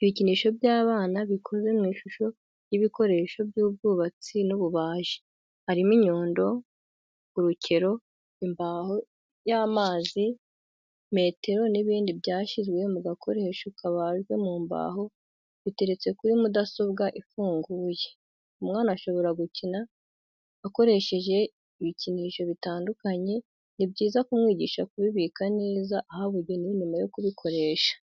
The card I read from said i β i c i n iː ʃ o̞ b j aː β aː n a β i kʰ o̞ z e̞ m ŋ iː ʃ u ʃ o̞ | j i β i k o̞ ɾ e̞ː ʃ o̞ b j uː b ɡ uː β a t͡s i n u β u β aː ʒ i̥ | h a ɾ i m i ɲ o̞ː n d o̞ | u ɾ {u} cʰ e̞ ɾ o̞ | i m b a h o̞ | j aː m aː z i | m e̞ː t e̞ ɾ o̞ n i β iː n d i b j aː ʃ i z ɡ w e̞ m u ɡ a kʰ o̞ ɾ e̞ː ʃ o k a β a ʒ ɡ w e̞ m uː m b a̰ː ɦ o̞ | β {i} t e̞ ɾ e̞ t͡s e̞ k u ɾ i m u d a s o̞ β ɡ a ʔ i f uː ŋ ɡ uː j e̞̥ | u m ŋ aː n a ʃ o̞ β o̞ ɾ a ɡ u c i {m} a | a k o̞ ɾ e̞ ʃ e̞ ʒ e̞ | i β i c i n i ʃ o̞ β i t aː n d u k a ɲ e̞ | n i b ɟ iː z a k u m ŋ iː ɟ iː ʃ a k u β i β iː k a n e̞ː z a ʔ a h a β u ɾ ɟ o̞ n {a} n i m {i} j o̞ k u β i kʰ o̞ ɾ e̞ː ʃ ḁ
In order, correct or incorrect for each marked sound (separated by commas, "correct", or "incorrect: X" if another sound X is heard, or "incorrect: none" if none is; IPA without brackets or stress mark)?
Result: correct, correct, incorrect: n, incorrect: i, incorrect: a